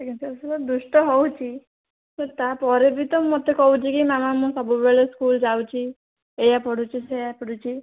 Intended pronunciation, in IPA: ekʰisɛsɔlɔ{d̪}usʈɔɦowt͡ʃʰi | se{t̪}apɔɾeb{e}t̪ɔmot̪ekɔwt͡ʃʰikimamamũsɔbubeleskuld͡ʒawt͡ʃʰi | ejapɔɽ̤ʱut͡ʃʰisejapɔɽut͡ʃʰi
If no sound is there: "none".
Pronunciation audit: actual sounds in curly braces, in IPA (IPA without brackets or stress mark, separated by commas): d̪, t̪, i